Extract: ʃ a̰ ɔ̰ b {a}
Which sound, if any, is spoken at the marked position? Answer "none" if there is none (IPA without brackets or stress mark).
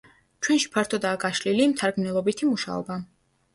a